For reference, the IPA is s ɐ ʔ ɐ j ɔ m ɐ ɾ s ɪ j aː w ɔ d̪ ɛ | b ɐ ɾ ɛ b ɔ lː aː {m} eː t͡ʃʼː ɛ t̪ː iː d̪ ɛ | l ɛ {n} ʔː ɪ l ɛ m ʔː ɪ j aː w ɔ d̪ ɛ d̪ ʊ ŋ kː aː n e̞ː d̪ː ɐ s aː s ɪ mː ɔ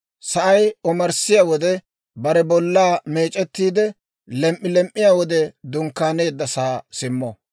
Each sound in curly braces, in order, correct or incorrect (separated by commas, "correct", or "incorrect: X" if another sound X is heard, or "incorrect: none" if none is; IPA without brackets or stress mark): correct, incorrect: m